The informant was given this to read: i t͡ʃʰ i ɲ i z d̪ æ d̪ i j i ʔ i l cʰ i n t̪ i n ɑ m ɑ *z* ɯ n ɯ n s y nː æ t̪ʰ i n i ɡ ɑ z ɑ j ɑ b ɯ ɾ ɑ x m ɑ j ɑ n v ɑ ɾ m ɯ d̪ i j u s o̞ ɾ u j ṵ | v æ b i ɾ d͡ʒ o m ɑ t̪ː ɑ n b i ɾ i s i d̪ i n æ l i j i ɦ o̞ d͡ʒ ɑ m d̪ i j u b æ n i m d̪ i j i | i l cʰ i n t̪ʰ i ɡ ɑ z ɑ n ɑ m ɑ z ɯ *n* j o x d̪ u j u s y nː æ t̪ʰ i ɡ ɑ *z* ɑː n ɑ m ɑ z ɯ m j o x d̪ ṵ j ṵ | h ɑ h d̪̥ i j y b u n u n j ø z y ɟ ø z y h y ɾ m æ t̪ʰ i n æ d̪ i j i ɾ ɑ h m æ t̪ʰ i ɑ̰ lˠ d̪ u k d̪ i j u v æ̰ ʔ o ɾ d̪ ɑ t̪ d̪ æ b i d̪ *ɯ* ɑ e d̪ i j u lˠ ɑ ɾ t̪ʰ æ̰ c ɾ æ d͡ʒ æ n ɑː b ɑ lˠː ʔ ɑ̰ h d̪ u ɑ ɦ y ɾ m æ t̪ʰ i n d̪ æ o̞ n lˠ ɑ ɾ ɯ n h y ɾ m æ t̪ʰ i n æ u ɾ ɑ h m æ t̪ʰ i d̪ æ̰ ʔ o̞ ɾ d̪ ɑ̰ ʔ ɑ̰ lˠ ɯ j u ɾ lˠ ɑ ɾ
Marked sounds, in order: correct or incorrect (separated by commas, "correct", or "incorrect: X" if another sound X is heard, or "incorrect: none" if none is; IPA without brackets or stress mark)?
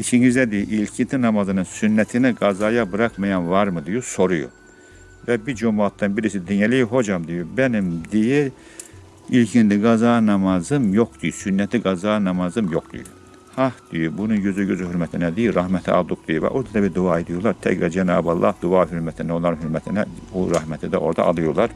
correct, incorrect: m, correct, incorrect: u